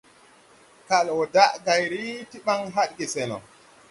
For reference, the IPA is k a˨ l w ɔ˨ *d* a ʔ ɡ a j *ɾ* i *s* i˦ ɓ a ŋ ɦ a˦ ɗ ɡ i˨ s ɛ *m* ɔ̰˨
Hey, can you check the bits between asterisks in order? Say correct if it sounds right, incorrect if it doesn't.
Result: correct, correct, incorrect: t, incorrect: n

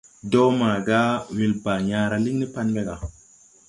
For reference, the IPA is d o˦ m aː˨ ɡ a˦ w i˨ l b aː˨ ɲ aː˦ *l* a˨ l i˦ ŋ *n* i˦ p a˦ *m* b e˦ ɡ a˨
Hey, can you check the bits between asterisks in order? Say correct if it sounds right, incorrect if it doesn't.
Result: incorrect: ɾ, correct, incorrect: n

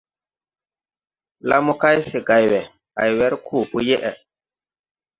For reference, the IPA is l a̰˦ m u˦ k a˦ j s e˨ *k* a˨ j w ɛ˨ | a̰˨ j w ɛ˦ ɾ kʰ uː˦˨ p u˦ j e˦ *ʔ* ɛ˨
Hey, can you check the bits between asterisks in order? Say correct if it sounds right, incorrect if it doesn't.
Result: incorrect: ɡ, correct

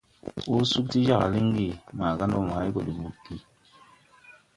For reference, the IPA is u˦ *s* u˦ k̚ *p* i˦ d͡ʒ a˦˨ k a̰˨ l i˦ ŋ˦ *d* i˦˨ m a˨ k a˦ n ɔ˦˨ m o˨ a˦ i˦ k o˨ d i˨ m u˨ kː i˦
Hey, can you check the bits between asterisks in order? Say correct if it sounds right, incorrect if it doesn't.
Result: correct, incorrect: t, incorrect: ɡ

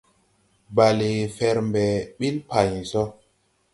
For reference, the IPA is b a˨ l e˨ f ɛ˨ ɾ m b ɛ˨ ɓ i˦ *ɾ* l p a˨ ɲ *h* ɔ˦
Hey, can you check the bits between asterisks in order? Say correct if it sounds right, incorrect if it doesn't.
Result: incorrect: none, incorrect: s

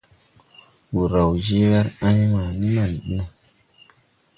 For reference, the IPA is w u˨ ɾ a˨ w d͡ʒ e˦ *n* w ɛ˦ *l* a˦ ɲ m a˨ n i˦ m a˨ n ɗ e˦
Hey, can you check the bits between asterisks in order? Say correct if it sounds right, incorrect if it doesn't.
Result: incorrect: none, incorrect: ɾ

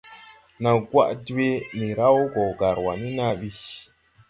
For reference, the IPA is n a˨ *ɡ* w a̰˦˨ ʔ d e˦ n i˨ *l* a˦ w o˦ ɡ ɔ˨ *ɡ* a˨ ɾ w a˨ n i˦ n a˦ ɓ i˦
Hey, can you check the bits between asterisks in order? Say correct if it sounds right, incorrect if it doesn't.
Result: correct, incorrect: ɾ, correct

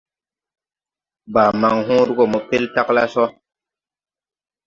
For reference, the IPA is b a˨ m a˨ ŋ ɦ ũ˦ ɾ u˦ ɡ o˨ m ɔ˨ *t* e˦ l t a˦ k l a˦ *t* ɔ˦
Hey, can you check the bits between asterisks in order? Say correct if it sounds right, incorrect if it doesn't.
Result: incorrect: p, incorrect: s

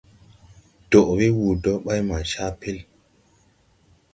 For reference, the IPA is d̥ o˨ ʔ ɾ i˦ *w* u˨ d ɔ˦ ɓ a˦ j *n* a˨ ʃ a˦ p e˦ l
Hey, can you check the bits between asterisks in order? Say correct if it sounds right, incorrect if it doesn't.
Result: correct, incorrect: m

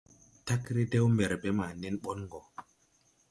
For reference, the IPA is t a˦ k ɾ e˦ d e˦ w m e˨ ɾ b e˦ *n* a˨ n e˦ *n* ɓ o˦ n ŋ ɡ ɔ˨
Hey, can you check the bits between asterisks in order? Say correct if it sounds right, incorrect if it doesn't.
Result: incorrect: m, correct

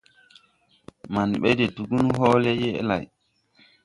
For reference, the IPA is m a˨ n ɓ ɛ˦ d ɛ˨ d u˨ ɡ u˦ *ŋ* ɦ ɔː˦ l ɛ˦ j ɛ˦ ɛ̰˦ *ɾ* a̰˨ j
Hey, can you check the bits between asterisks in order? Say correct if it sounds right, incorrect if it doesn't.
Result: incorrect: n, incorrect: l

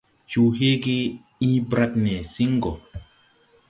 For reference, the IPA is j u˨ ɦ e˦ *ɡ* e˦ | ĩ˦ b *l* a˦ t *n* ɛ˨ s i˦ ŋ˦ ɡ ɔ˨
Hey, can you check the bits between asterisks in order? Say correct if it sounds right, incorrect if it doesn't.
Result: correct, incorrect: ɾ, correct

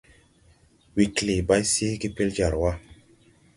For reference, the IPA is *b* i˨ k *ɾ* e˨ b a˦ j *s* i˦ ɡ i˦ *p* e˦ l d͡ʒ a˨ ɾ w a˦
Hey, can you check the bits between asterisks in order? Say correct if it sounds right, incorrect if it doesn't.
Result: incorrect: w, incorrect: l, correct, correct

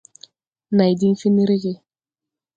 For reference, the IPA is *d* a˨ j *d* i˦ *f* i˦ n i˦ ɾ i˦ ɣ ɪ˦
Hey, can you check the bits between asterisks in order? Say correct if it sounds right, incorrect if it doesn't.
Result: incorrect: n, correct, correct

